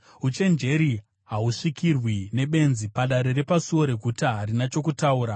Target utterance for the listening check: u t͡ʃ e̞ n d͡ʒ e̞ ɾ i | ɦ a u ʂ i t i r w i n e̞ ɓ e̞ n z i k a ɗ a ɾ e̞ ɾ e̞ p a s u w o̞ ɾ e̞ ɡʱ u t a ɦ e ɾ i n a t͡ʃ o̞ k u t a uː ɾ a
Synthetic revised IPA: u t͡ʃ e̞ n d͡ʒ e̞ ɾ i | ɦ a u ʂ i k i r w i n e̞ ɓ e̞ n z i p a ɗ a ɾ e̞ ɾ e̞ p a s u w o̞ ɾ e̞ ɡʱ u t a ɦ a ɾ i n a t͡ʃ o̞ k u t a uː ɾ a